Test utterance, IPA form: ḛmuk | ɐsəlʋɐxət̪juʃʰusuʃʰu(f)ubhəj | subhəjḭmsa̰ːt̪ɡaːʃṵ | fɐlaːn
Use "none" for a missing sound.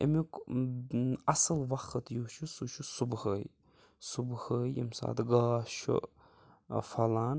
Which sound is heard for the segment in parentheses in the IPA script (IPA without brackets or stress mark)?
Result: s